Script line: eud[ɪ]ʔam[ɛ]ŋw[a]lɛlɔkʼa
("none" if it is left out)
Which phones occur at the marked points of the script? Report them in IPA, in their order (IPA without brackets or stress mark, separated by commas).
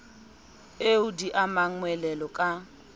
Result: i, a, ɛ